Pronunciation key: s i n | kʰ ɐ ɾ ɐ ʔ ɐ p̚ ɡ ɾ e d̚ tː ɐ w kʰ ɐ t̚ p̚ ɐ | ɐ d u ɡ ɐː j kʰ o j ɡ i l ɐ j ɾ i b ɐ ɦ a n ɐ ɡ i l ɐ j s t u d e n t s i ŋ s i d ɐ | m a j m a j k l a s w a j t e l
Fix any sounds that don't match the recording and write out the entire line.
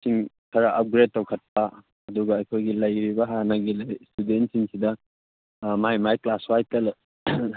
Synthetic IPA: s i ŋ | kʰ ɐ ɾ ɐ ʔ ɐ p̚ ɡ ɾ e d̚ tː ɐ w kʰ ɐ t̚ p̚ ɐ | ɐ d u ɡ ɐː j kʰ o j ɡ i l ɐ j ɾ i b ɐ ɦ a n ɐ ɡ i l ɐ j s t u d e n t s i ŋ s i d ɐ | m a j m a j k l a s w a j t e l